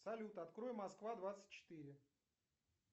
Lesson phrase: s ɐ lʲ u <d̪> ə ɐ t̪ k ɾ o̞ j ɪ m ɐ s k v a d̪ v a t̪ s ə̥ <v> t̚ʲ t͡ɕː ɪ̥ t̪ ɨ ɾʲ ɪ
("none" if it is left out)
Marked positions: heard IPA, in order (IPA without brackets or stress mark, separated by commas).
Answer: t̪, none